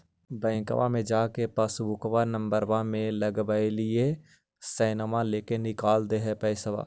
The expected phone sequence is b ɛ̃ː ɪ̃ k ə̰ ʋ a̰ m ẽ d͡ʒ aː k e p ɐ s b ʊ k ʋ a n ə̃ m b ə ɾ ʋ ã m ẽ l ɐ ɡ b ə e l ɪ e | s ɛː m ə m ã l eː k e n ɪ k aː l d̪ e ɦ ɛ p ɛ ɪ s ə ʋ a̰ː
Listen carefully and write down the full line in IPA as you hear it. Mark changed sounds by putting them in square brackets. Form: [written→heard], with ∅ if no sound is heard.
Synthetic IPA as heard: b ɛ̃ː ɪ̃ k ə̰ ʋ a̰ m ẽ d͡ʒ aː k e p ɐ s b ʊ k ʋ a n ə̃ m b ə ɾ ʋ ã m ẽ l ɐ ɡ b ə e l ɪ e | s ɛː [m→n] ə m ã l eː k e n ɪ k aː l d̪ e ɦ ɛ p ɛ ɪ s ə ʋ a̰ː

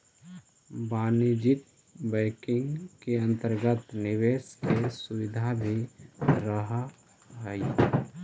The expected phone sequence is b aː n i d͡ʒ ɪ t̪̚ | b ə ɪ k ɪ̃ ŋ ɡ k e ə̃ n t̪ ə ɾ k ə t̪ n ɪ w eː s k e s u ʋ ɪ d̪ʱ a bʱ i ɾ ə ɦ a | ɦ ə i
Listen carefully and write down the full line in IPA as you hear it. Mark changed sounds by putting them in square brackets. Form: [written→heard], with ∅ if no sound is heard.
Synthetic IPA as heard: b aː n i d͡ʒ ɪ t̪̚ | b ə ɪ k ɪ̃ ŋ ɡ k e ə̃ n t̪ ə ɾ [k→ɡ] ə t̪ n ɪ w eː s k e s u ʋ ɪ d̪ʱ a bʱ i ɾ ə ɦ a | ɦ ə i

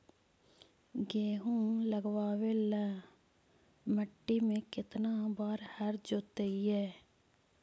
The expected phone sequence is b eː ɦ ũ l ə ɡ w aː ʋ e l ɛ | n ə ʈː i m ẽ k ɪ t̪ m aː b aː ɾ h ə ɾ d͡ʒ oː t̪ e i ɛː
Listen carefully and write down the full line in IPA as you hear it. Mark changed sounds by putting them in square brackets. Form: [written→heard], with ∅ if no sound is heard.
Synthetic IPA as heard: [b→ɡ] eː ɦ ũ l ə ɡ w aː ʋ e l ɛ | [n→m] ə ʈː i m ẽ k ɪ t̪ [m→n] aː b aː ɾ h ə ɾ d͡ʒ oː t̪ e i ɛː

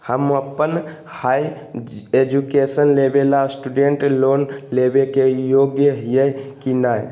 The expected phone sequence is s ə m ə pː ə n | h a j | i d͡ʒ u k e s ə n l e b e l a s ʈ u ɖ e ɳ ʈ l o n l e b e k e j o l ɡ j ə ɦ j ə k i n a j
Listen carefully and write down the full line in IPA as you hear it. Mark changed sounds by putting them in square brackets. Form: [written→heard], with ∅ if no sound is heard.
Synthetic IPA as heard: [s→h] ə m ə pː ə n | h a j | [i→e] d͡ʒ u k e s ə n l e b e l a s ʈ u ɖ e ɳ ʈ l o n l e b e k e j o [l→∅] ɡ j ə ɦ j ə k i n a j

